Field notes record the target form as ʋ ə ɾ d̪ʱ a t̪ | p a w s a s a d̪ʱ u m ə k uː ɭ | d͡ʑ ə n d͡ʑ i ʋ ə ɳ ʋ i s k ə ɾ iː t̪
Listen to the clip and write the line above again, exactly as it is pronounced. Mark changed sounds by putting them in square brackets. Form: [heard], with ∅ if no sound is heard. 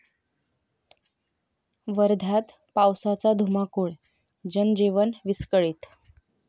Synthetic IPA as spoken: ʋ ə ɾ d̪ʱ a t̪ | p a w s a [t͡s] a d̪ʱ u m [a] k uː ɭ | d͡ʑ ə n d͡ʑ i ʋ ə [n] ʋ i s k ə [ɭ] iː t̪